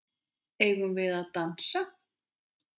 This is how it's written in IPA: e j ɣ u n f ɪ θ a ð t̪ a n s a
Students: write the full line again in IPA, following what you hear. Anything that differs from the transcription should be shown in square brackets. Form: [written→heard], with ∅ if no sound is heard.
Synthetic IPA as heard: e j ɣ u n [f→v] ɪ [θ→ð] a ð t̪ a n s a